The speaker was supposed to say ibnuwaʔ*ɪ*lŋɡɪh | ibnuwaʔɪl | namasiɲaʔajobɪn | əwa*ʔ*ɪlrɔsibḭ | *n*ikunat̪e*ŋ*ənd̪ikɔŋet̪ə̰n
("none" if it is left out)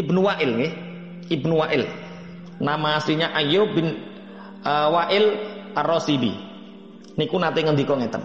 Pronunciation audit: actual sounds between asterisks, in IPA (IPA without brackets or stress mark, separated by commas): ɪ, ʔ, n, ŋ